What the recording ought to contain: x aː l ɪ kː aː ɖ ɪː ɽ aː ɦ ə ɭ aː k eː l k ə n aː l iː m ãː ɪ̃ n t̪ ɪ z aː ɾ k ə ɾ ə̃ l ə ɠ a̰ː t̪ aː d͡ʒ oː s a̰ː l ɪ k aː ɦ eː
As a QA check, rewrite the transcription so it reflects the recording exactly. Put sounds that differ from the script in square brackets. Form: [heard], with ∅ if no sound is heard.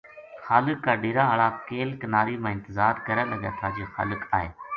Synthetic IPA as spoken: x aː l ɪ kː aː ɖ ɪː [ɾ] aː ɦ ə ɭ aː k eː l k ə n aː [ɾ] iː m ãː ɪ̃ n t̪ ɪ z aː ɾ k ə ɾ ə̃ l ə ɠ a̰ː [t̪ʰ] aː d͡ʒ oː [x] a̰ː l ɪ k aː ɦ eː